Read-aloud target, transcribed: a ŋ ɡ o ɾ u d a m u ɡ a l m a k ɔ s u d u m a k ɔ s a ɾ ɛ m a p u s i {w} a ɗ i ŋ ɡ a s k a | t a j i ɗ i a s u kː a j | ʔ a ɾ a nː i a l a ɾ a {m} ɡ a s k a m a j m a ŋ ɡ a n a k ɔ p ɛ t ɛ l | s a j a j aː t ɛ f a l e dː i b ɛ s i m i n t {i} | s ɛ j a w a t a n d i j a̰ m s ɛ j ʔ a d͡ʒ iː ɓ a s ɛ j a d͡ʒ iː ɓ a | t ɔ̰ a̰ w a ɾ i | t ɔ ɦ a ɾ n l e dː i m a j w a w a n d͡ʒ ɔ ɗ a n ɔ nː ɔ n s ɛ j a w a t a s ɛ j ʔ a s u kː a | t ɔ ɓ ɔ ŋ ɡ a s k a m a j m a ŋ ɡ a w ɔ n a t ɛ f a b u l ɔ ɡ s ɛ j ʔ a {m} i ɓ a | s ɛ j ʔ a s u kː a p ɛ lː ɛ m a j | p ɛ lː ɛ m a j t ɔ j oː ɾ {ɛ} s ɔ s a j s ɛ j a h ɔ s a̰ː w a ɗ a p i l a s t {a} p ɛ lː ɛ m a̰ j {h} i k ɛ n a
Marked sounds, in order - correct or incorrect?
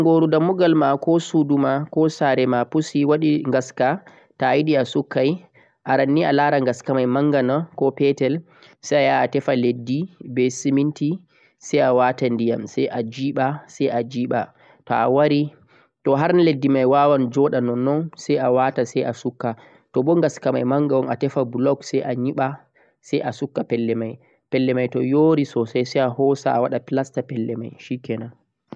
correct, incorrect, correct, incorrect, incorrect, correct, incorrect

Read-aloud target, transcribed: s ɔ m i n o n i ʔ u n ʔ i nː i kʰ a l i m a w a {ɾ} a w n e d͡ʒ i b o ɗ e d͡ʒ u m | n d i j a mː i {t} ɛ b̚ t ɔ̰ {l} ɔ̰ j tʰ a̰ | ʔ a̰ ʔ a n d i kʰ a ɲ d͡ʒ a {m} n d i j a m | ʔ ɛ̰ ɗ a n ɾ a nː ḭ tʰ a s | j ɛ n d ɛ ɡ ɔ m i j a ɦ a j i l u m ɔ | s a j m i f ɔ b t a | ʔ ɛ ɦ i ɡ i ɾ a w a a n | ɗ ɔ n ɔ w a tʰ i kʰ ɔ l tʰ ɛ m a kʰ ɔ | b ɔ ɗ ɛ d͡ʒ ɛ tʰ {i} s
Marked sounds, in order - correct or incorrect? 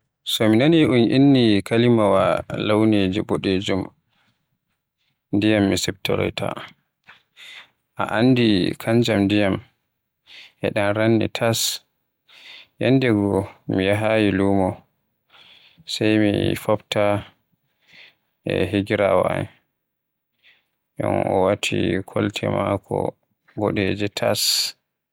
incorrect, incorrect, incorrect, correct, incorrect

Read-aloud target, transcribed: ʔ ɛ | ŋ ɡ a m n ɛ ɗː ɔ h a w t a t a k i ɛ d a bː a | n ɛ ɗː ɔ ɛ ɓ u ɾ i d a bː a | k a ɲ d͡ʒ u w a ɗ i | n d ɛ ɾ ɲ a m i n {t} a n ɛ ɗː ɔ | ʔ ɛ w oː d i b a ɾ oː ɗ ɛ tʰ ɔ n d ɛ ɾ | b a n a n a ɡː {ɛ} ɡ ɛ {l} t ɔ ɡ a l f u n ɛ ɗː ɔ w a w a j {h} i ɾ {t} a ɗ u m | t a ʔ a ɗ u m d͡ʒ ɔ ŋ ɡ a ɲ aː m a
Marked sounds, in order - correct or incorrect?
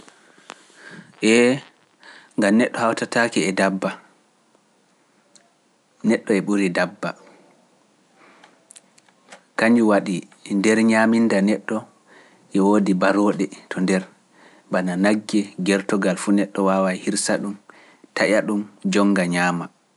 incorrect, correct, incorrect, correct, incorrect

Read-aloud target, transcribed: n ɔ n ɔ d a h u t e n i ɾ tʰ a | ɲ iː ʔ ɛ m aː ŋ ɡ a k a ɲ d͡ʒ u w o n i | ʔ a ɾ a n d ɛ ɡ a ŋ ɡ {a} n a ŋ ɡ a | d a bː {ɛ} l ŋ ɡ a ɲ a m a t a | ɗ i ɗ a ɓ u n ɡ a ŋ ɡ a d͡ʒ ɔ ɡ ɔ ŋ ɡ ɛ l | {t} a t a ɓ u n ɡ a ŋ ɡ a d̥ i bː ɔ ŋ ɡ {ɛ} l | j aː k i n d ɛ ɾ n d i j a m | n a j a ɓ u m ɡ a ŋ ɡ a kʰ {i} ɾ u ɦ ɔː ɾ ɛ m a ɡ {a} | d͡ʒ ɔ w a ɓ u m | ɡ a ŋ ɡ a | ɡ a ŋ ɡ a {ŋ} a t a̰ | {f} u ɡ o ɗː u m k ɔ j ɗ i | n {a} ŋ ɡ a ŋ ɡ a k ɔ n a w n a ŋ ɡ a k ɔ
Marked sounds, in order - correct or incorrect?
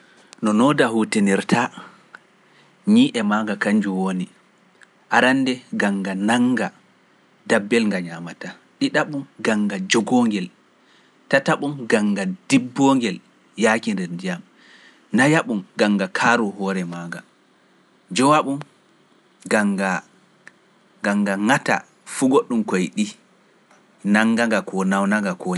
correct, correct, correct, correct, incorrect, correct, correct, correct, correct

